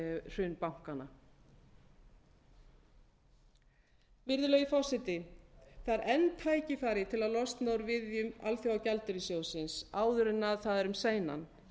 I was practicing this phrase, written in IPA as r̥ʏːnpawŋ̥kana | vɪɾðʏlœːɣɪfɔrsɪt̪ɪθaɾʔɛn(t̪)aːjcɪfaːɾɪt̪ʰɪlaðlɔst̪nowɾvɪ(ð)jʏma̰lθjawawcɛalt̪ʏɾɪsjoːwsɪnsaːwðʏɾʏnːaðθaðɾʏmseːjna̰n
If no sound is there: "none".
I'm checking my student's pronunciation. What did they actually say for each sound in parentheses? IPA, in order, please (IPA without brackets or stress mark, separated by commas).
t̪ʰ, ð